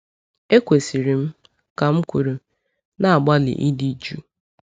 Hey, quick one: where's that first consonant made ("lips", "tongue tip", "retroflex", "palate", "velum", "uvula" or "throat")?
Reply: velum